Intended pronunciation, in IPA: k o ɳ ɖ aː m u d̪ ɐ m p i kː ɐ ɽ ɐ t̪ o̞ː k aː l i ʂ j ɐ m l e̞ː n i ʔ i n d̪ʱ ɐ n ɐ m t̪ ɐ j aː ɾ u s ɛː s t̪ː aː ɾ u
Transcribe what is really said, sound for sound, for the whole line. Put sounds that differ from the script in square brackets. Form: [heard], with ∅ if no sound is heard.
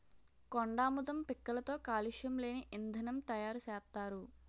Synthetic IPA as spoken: k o ɳ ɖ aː m u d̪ ɐ m p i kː ɐ [l] ɐ t̪ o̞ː k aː l i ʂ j ɐ m l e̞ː n i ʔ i n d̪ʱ ɐ n ɐ m t̪ ɐ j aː ɾ u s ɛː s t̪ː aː ɾ u